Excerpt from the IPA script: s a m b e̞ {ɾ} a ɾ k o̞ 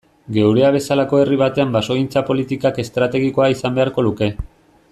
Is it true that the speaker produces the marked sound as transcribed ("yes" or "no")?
no